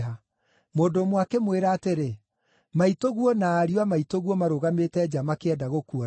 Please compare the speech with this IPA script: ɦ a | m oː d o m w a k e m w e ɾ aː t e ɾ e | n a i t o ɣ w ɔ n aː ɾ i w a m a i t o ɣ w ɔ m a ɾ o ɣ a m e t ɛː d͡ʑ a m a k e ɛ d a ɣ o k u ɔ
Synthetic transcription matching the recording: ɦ a | m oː d o m w a k e m w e ɾ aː t e ɾ e | m a i t o ɣ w ɔ n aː ɾ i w a m a i t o ɣ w ɔ m a ɾ o ɣ a m e t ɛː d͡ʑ a m a k e ɛ d a ɣ o k u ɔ